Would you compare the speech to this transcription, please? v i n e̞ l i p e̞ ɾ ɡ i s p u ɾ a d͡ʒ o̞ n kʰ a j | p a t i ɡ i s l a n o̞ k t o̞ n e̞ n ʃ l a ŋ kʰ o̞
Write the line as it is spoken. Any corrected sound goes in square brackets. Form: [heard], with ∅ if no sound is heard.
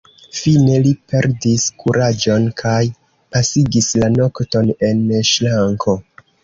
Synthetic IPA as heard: [f] i n e̞ l i p e̞ ɾ [d] i s [k] u ɾ a d͡ʒ o̞ n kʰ a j | p a [s] i ɡ i s l a n o̞ k t o̞ n e̞ n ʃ l a ŋ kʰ o̞